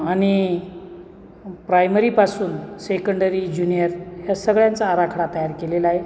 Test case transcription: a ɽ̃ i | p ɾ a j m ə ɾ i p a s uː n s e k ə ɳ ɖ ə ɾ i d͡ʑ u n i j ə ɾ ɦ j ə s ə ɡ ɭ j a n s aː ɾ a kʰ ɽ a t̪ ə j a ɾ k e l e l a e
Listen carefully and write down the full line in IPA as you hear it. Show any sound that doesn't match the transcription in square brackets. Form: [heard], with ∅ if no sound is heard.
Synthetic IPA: a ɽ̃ i | p ɾ a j m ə ɾ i p a s uː n s e k ə ɳ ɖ ə ɾ i d͡ʑ u n i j ə ɾ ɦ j [a] s ə ɡ ɭ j a n [t͡s] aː ɾ a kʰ ɽ a t̪ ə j a ɾ k e l e l a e